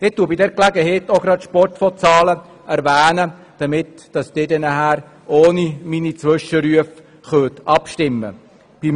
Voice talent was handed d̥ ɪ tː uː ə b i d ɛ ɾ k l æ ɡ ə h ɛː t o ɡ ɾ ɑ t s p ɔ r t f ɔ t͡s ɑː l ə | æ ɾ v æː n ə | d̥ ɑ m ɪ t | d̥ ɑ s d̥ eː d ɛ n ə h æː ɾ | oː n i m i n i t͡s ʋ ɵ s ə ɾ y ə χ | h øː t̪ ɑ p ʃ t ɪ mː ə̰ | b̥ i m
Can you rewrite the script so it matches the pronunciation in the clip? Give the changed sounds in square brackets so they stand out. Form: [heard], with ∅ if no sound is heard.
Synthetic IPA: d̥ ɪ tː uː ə b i d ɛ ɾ k l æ ɡ ə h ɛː t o ɡ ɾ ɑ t [ʃ] p ɔ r t f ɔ t͡s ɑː l ə | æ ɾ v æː n ə | d̥ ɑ m ɪ t | d̥ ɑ s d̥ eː d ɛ n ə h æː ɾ | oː n i m i n i t͡s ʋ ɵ [ʃ] ə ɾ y ə [f] | [χ] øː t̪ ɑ p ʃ t ɪ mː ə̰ | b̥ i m